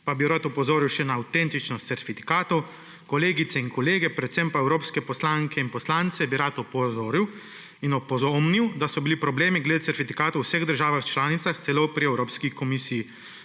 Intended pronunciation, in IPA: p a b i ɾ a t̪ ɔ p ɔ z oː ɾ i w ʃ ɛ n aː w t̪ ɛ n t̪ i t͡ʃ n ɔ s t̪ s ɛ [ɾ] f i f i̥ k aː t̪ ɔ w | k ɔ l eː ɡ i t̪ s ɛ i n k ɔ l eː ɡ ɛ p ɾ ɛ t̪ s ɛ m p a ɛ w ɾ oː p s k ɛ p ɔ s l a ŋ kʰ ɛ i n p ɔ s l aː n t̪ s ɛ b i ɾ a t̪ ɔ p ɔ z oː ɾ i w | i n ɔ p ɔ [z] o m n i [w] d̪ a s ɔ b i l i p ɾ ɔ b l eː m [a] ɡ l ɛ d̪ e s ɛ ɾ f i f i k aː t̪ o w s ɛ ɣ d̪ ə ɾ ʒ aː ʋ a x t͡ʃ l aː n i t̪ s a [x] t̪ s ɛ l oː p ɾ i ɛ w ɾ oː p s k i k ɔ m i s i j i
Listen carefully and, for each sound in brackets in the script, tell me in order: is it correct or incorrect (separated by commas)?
correct, correct, correct, incorrect, correct